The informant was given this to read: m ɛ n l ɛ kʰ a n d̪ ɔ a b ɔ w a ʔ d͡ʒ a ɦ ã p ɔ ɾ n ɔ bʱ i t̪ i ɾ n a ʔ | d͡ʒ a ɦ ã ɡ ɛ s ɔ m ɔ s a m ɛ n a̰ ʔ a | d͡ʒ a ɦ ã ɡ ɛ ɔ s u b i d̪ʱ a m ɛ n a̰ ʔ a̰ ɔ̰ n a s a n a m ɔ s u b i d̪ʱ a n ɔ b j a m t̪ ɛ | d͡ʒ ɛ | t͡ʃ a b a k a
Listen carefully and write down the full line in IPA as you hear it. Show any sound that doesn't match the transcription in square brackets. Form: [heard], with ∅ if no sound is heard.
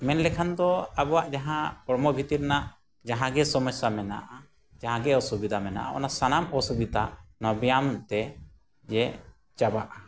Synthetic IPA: m ɛ n l ɛ kʰ a n d̪ ɔ a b ɔ w a ʔ d͡ʒ a ɦ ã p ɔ ɾ [m] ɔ bʱ i t̪ i ɾ n a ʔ | d͡ʒ a ɦ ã ɡ ɛ s ɔ m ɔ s a m ɛ n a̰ ʔ a | d͡ʒ a ɦ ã ɡ ɛ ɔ s u b i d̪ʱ a m ɛ n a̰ ʔ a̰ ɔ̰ n a s a n a m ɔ s u b i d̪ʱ a n ɔ b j a m t̪ ɛ | d͡ʒ ɛ | t͡ʃ a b a [ʔ] a